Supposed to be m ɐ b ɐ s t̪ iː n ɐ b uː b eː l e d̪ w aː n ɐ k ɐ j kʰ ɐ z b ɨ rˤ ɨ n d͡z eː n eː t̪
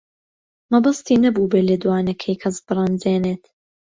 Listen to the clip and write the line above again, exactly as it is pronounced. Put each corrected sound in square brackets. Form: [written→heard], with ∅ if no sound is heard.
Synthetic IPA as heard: m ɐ b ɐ s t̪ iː n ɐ b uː b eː l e d̪ w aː n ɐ [k→kʰ] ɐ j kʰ ɐ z b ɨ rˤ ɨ n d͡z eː n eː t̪